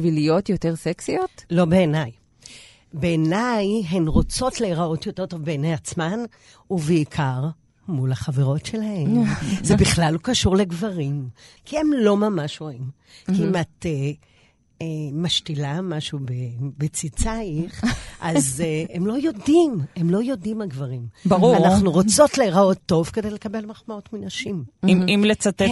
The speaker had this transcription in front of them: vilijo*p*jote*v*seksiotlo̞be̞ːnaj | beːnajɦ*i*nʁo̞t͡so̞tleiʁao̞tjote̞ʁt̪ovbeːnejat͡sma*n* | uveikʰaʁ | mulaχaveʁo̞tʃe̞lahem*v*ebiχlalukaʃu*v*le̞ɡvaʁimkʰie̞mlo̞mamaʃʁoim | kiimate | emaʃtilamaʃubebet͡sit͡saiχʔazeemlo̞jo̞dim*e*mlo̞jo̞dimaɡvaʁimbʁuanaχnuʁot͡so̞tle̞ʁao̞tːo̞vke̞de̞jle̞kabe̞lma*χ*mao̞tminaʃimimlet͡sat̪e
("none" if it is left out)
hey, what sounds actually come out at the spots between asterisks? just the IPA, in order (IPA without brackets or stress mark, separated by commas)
t, ʁ, e, n, z, ʁ, e, χ